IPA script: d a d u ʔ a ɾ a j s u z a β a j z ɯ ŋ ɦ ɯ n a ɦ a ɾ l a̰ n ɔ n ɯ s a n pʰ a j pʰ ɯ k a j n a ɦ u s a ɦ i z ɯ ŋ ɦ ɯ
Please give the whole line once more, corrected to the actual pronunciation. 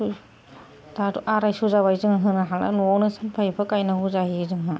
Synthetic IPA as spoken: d a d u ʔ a ɾ a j s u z a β a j z ɯ ŋ ɦ ɯ n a ɦ a l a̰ n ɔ n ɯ s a n pʰ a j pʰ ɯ k a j n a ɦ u z a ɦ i z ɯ ŋ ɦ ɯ